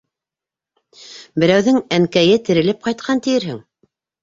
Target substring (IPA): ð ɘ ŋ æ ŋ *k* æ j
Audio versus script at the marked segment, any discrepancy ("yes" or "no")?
no